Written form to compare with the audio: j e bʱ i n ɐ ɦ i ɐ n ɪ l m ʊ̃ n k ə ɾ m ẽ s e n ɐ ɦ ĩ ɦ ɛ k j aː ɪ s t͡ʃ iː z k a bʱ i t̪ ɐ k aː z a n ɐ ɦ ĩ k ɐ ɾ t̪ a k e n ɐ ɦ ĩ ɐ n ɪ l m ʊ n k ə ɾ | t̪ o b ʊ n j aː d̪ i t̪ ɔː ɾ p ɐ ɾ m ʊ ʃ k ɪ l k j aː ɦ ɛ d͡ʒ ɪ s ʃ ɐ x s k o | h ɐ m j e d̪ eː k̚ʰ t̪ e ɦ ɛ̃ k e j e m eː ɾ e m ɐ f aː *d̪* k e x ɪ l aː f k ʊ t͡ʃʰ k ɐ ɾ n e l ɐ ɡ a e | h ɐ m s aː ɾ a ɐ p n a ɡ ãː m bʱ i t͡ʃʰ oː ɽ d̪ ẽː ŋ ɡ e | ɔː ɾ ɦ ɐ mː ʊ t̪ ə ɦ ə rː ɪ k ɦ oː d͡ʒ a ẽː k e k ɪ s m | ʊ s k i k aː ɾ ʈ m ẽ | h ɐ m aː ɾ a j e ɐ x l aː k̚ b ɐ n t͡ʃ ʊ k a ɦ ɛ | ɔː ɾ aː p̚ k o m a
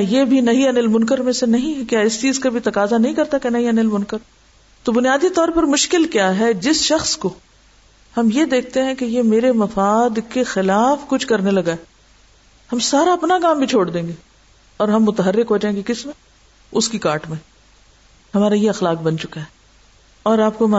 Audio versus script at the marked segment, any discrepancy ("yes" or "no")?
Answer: no